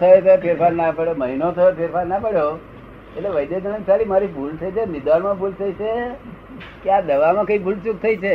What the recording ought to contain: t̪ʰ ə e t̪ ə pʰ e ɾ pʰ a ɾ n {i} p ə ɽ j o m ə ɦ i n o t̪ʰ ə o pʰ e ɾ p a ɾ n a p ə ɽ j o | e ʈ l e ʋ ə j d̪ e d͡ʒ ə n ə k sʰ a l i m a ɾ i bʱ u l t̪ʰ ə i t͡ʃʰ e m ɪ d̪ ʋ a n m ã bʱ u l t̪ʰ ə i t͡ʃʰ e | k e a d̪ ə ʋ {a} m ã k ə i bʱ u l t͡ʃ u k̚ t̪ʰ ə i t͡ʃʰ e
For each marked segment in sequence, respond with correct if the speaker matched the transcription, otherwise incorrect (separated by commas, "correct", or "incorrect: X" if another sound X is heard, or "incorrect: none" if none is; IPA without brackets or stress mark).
incorrect: a, correct